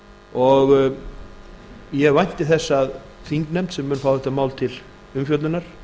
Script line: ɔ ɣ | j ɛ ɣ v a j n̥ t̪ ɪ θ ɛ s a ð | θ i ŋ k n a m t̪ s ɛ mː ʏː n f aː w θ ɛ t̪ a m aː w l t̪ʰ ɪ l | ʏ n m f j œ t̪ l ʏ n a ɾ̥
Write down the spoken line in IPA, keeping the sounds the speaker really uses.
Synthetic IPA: ɔ ɣ | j ɛ ɣ v a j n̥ t̪ ɪ θ ɛ sː a ð | θ i ŋ k n ɛ m t̪ s ɛ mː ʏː n f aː w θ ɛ t̪ a m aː w l t̪ʰ ɪ l | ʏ m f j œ t̪ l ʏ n a ɾ̥